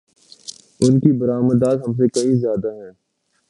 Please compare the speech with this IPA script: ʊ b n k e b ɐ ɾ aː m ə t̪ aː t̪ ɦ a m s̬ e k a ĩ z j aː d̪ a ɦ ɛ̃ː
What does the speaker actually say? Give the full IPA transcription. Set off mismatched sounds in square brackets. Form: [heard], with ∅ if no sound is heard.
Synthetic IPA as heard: ʊ [∅] n k [i] b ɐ ɾ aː m ə [d̪] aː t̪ ɦ [ɐ] m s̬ e k [ɐ] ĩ z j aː d̪ a ɦ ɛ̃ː